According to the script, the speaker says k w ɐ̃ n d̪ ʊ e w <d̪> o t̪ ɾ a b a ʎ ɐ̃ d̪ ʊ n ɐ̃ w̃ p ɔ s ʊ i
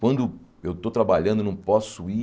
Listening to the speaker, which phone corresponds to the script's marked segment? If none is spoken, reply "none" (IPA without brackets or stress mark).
t̪